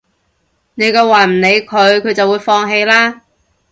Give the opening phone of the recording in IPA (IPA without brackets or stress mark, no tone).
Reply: n